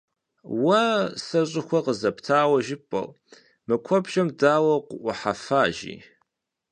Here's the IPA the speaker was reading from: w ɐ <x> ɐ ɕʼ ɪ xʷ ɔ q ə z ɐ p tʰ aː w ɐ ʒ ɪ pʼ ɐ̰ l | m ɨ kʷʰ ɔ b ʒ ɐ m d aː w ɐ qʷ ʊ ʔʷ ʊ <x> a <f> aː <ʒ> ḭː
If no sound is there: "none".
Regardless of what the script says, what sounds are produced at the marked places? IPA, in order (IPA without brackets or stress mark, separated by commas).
s, ħ, f, ʒ